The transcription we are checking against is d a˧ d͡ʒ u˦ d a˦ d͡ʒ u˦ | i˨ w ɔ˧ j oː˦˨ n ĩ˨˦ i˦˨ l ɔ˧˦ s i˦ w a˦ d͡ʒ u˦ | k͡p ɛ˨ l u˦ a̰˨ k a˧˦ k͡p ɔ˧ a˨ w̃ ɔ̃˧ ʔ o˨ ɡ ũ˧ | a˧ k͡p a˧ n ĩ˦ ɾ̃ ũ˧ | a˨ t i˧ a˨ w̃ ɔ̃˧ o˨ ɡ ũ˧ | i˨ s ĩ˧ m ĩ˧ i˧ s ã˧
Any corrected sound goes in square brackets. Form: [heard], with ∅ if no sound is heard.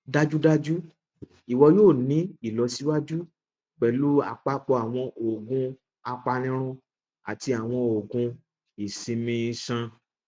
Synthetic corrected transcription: d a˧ d͡ʒ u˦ d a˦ d͡ʒ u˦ | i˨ w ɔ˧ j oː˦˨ n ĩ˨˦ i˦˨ l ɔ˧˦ s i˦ w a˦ d͡ʒ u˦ | k͡p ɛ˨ l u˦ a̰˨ [k͡p] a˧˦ k͡p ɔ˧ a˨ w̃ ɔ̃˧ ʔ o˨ ɡ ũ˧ | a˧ k͡p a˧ n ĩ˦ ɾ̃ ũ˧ | a˨ t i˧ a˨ w̃ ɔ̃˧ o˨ ɡ ũ˧ | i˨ s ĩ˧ m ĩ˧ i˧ s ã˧